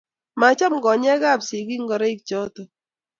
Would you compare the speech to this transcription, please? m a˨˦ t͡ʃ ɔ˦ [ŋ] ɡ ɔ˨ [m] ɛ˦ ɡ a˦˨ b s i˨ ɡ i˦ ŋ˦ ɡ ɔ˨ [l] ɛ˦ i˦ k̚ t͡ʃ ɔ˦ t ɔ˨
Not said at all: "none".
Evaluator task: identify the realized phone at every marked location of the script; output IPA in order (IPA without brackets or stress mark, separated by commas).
m, ɲ, ɾ